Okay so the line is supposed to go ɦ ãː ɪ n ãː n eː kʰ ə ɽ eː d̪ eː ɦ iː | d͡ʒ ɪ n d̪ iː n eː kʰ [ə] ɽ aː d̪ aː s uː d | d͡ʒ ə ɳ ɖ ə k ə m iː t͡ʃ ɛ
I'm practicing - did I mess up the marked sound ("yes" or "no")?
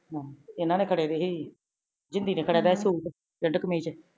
no